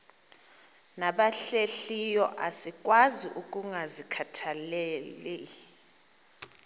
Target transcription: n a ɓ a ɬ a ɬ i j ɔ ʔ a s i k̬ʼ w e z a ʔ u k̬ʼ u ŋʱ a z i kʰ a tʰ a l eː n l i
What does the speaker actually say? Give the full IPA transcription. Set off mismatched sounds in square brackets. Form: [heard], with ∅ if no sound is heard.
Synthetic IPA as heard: n a ɓ a ɬ [e] ɬ i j ɔ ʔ a s i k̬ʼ w [a] z [i] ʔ u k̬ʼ u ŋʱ a z i kʰ a tʰ a l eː [∅] l i